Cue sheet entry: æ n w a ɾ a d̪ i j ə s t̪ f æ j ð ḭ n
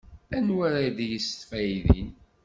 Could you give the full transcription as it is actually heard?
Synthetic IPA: æ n w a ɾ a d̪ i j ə s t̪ f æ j ð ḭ n